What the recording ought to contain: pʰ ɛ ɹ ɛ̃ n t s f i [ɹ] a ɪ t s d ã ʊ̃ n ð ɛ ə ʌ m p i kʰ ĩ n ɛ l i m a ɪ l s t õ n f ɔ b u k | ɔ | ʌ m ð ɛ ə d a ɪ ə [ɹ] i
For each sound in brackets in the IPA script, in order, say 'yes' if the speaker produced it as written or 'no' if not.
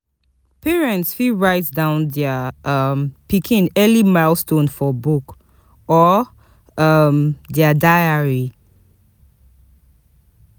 yes, yes

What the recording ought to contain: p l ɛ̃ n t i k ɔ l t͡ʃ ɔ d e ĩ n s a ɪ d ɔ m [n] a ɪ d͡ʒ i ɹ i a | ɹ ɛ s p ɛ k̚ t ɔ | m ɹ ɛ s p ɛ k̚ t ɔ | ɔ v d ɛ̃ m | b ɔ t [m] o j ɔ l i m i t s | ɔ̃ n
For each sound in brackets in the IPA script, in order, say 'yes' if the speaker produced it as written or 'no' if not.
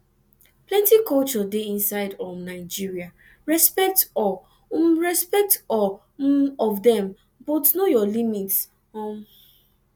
yes, no

